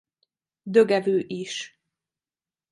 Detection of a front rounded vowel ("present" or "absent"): present